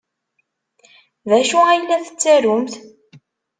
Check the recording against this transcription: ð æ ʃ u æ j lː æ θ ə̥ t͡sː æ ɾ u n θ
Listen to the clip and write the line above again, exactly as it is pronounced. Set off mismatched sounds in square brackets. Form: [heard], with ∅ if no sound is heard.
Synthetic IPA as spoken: ð æ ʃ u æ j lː æ θ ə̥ t͡sː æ ɾ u [m] θ